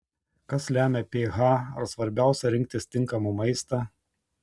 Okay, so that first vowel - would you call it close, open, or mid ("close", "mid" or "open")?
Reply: open